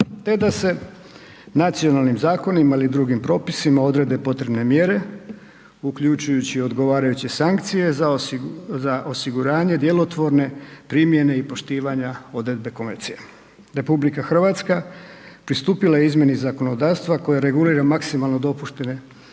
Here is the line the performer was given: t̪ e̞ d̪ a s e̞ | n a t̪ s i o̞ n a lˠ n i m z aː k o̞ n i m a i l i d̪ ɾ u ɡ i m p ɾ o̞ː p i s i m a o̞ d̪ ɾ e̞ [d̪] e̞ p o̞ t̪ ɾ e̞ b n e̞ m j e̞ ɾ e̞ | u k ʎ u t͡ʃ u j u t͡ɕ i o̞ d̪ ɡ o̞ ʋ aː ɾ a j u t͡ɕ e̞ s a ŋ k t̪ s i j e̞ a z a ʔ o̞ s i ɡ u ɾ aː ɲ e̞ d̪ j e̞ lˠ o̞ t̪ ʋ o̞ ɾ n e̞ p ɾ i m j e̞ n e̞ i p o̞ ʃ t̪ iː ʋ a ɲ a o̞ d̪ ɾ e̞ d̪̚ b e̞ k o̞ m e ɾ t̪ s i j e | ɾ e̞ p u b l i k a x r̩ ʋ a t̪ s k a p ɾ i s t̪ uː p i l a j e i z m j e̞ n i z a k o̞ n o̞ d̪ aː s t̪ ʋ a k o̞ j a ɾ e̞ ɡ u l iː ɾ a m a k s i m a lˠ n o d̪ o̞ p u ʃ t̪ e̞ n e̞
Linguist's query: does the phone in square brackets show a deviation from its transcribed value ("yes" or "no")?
no